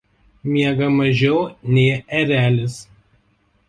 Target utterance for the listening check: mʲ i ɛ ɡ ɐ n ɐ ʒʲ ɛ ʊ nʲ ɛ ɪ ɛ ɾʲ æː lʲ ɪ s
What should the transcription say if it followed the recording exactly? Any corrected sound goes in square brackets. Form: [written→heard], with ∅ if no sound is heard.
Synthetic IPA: mʲ i ɛ ɡ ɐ [n→m] ɐ ʒʲ ɛ ʊ nʲ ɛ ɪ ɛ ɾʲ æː lʲ ɪ s